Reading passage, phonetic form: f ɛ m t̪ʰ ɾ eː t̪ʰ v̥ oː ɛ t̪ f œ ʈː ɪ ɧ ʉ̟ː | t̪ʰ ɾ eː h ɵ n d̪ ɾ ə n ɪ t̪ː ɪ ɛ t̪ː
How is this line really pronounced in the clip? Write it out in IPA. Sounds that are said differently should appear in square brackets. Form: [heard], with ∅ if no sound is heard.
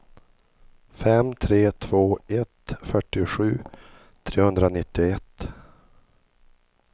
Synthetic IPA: f ɛ m t̪ʰ ɾ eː t̪ʰ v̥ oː ɛ t̪ f œ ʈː ɪ ɧ ʉ̟ː | t̪ʰ ɾ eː h ɵ n d̪ ɾ [a] n ɪ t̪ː ɪ ɛ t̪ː